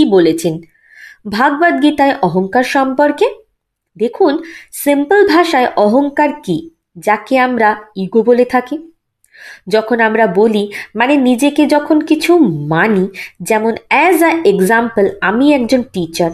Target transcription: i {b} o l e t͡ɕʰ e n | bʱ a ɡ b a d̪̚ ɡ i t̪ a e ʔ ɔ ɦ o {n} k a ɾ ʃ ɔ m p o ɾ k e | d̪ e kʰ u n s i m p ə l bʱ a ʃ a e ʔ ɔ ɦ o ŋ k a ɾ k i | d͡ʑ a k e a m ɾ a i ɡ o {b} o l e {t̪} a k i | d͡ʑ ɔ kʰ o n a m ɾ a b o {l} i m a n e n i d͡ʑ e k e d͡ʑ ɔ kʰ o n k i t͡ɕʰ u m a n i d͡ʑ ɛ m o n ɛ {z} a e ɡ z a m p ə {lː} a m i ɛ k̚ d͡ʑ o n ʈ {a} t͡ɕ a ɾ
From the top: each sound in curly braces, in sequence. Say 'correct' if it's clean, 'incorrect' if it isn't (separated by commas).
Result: correct, incorrect, correct, incorrect, correct, correct, incorrect, incorrect